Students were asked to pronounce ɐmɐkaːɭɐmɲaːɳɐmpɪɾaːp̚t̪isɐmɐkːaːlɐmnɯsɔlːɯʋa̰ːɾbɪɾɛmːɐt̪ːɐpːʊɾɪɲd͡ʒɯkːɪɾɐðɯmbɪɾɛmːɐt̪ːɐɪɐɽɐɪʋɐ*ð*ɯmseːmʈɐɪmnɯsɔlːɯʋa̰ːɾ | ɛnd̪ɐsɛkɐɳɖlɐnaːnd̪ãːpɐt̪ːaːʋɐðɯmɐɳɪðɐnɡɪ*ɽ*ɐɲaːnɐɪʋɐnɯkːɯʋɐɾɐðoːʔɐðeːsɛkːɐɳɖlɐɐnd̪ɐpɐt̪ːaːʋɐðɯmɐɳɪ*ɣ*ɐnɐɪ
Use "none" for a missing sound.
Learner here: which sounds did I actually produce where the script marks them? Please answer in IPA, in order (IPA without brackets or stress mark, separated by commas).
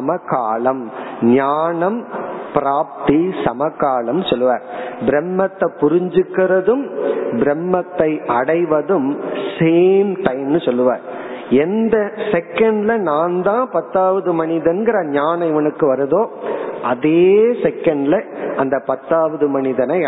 ð, ɾ, ð